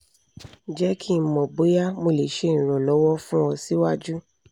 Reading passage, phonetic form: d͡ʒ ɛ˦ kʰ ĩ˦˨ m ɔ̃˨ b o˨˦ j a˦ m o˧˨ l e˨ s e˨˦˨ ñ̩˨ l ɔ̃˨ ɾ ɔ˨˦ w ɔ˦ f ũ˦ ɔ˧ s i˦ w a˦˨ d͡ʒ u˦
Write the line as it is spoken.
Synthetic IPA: d͡ʒ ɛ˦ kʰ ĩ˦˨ m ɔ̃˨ b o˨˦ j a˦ m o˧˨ l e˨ ʃ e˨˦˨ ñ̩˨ ɾ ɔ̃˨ l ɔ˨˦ w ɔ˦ f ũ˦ ɔ˧ s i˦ w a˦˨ d͡ʒ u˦